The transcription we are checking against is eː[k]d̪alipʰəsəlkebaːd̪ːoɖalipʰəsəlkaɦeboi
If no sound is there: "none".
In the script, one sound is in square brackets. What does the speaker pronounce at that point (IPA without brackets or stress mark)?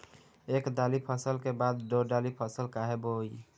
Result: k